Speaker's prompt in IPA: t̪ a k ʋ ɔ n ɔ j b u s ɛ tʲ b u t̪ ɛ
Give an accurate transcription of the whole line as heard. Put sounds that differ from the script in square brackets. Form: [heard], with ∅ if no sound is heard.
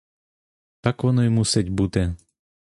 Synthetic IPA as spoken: t̪ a k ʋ ɔ n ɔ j [m] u s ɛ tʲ b u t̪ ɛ